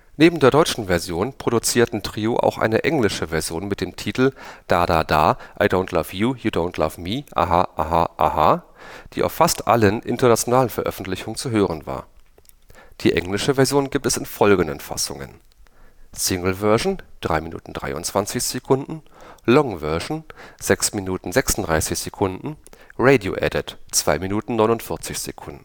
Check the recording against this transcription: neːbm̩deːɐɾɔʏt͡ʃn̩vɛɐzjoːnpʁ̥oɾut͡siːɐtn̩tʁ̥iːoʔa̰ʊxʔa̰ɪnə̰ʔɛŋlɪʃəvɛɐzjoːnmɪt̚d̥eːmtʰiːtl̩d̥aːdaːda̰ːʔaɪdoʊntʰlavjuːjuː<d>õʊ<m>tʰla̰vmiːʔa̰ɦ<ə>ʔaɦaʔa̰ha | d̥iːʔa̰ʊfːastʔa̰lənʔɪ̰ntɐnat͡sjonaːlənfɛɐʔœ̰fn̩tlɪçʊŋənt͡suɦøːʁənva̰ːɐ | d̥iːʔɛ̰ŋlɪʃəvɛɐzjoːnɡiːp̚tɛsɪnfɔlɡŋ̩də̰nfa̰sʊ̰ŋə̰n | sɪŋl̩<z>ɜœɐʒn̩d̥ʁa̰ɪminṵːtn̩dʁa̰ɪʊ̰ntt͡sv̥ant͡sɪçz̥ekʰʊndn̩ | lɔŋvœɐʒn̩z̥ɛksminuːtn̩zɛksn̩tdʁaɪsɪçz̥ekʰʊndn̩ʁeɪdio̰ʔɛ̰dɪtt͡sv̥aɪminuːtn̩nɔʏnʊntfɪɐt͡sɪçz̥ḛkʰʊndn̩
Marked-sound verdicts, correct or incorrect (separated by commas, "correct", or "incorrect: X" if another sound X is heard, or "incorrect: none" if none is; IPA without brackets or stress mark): correct, incorrect: n, incorrect: a, incorrect: v